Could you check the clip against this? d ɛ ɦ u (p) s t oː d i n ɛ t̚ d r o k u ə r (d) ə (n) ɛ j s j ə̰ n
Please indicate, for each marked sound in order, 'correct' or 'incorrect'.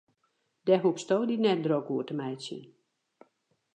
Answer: correct, incorrect, incorrect

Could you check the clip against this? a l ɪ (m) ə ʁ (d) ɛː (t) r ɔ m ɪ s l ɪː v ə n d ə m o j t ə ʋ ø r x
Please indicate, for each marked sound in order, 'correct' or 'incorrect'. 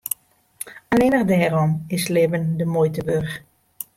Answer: incorrect, correct, incorrect

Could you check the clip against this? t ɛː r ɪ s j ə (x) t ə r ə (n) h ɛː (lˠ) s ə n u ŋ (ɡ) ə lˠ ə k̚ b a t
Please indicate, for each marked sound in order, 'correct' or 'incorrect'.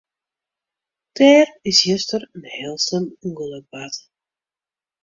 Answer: incorrect, correct, correct, correct

